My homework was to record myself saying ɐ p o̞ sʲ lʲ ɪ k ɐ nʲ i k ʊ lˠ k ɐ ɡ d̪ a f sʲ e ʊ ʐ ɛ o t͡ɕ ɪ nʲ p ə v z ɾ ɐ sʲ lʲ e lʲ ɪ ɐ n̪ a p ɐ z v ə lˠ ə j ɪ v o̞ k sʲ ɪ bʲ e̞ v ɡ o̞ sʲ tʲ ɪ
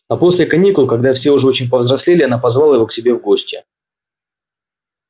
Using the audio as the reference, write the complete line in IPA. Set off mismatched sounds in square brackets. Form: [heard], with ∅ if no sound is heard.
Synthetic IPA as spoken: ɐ p o̞ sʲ lʲ ɪ k ɐ nʲ i k ʊ lˠ k ɐ ɡ d̪ a f sʲ e ʊ ʐ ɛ o t͡ɕ ɪ nʲ p ə v z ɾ ɐ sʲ lʲ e lʲ ɪ ɐ n̪ a p ɐ z v [a] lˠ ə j ɪ v o̞ k sʲ ɪ bʲ e̞ v ɡ o̞ sʲ tʲ ɪ